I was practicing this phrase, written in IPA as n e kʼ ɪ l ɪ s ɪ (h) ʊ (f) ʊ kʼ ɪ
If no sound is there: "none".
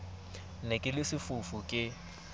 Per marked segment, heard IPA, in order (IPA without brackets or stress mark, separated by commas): f, f